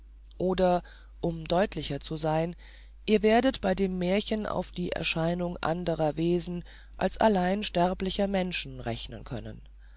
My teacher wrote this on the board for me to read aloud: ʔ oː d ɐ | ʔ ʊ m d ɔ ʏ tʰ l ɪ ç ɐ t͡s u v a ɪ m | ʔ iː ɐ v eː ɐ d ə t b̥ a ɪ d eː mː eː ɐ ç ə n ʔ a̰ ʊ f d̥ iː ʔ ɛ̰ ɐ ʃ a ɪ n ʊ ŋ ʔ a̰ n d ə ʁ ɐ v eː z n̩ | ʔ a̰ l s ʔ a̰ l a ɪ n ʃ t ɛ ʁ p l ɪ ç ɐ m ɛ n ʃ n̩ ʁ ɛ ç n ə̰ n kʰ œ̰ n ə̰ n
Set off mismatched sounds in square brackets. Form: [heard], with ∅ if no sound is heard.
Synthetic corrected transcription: ʔ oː d ɐ | ʔ ʊ m d ɔ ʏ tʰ l ɪ ç ɐ t͡s u [z] a ɪ [n] | ʔ iː ɐ v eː ɐ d ə t b̥ a ɪ d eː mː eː ɐ ç ə n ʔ a̰ ʊ f d̥ iː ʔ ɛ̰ ɐ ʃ a ɪ n ʊ ŋ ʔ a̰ n d ə ʁ ɐ v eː z n̩ | ʔ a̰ l s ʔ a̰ l a ɪ n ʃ t ɛ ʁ p l ɪ ç ɐ m ɛ n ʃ n̩ ʁ ɛ ç n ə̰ n kʰ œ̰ n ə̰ n

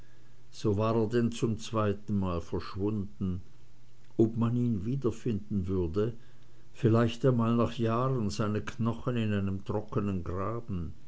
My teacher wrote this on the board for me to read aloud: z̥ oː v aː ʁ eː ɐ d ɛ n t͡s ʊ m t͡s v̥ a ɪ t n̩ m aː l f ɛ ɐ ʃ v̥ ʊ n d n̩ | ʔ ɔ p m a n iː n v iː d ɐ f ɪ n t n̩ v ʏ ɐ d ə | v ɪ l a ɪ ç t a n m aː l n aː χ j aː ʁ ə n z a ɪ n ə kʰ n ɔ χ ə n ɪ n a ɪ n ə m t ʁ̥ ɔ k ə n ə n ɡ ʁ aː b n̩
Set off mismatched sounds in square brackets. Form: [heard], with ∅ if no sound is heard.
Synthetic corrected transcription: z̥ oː v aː ʁ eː ɐ d ɛ n t͡s ʊ m t͡s v̥ a ɪ t n̩ m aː l f ɛ ɐ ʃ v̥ ʊ n d n̩ | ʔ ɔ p m a n iː n v iː d ɐ f ɪ n [d] n̩ v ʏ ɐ d ə | [f] ɪ l a ɪ ç t a n m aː l n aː χ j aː ʁ ə n z a ɪ n ə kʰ n ɔ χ ə n ɪ n a ɪ n ə m t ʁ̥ ɔ k ə n ə n ɡ ʁ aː b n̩

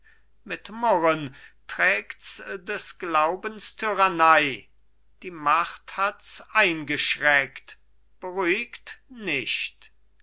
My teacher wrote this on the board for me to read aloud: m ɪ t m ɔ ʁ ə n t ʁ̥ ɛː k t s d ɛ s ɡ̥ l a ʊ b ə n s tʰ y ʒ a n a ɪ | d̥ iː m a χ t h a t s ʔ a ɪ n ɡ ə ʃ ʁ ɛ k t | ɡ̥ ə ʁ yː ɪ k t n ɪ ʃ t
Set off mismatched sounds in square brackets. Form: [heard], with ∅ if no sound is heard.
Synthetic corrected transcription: m ɪ t m ɔ ʁ ə n t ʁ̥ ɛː k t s d ɛ s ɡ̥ l a ʊ b ə n s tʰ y [ʁ] a n a ɪ | d̥ iː m a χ t h a t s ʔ a ɪ n ɡ ə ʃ ʁ ɛ k t | [b̥] ə ʁ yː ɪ k t n ɪ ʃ t

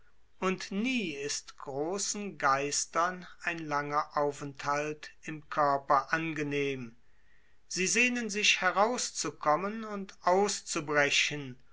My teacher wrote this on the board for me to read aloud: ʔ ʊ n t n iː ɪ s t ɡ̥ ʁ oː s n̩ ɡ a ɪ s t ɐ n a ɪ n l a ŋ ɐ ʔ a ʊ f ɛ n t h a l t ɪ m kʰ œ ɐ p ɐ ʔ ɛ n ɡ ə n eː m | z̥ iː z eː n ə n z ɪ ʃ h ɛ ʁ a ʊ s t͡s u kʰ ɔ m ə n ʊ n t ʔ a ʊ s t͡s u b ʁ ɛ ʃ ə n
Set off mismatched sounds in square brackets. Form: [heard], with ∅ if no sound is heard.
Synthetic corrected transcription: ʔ ʊ n t n iː ɪ s t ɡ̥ ʁ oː s n̩ ɡ a ɪ s t ɐ n a ɪ n l a ŋ ɐ ʔ a ʊ f ɛ n t h a l t ɪ m kʰ œ ɐ p ɐ ʔ [a] n ɡ ə n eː m | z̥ iː z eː n ə n z ɪ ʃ h ɛ ʁ a ʊ s t͡s u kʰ ɔ m ə n ʊ n t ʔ a ʊ s t͡s u b ʁ ɛ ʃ ə n

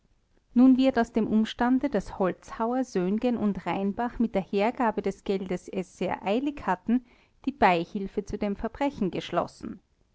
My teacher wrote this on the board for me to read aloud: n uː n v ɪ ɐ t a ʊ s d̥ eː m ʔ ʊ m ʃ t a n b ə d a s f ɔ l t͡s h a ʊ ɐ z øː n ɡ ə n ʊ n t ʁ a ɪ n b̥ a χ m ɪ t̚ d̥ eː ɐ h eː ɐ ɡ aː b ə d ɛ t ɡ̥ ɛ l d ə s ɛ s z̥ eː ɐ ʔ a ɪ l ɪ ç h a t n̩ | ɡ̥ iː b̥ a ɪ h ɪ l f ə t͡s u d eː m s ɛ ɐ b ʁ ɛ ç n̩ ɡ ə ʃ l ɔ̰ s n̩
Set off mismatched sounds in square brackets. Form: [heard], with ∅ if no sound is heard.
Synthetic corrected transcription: n uː n v ɪ ɐ t a ʊ s d̥ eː m ʔ ʊ m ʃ t a n [d] ə d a s [h] ɔ l t͡s h a ʊ ɐ z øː n ɡ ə n ʊ n t ʁ a ɪ n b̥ a χ m ɪ t̚ d̥ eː ɐ h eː ɐ ɡ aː b ə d ɛ [s] ɡ̥ ɛ l d ə s ɛ s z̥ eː ɐ ʔ a ɪ l ɪ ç h a t n̩ | [d̥] iː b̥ a ɪ h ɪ l f ə t͡s u d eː m [f] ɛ ɐ b ʁ ɛ ç n̩ ɡ ə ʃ l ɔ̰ s n̩

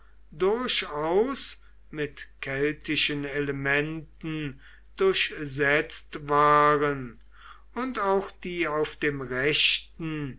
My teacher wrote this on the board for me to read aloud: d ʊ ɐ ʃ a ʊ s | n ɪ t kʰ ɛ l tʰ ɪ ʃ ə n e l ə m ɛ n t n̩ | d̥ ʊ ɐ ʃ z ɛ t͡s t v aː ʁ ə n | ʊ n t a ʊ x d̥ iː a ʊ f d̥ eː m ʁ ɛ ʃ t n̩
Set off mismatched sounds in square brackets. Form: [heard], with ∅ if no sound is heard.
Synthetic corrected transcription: d ʊ ɐ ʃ a ʊ s | [m] ɪ t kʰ ɛ l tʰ ɪ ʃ ə n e l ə m ɛ n t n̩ | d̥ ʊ ɐ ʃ z ɛ t͡s t v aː ʁ ə n | ʊ n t a ʊ x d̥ iː a ʊ f d̥ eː m ʁ ɛ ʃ t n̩

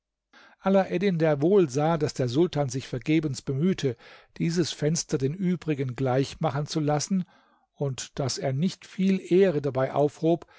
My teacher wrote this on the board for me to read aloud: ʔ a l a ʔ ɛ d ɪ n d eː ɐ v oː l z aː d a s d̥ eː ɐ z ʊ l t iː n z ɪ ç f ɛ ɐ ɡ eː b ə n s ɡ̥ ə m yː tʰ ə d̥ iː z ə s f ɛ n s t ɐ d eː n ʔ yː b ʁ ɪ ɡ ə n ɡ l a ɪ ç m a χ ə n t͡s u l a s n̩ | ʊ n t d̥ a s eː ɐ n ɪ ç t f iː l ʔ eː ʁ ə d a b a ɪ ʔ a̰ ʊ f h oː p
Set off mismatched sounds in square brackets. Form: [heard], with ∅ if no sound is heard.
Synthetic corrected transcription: ʔ a l a ʔ ɛ d ɪ n d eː ɐ v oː l z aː d a s d̥ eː ɐ z ʊ l t [aː] n z ɪ ç f ɛ ɐ ɡ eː b ə n s [b̥] ə m yː tʰ ə d̥ iː z ə s f ɛ n s t ɐ d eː n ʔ yː b ʁ ɪ ɡ ə n ɡ l a ɪ ç m a χ ə n t͡s u l a s n̩ | ʊ n t d̥ a s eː ɐ n ɪ ç t f iː l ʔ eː ʁ ə d a b a ɪ ʔ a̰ ʊ f h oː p

